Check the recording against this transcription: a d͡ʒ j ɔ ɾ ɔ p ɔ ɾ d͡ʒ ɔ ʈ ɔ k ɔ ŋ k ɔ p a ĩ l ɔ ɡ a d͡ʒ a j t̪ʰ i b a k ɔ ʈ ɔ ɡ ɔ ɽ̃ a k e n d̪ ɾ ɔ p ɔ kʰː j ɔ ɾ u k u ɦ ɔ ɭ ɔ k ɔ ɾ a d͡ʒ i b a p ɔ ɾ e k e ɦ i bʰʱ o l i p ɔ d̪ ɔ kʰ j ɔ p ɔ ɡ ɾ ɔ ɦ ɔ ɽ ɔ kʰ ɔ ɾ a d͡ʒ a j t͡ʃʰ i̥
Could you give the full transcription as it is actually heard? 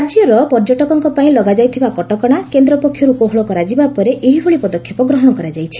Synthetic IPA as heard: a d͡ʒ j ɔ ɾ ɔ p ɔ ɾ d͡ʒ ɔ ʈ ɔ k ɔ ŋ k ɔ p a ĩ l ɔ ɡ a d͡ʒ a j t̪ʰ i b a k ɔ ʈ ɔ k ɔ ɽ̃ a k e n d̪ ɾ ɔ p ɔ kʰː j ɔ ɾ u k o ɦ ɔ ɭ ɔ k ɔ ɾ a d͡ʒ i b a p ɔ ɾ e ʔ e ɦ i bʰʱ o ɭ i p ɔ d̪ ɔ kʰ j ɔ p ɔ ɡ ɾ ɔ ɦ ɔ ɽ ɔ k ɔ ɾ a d͡ʒ a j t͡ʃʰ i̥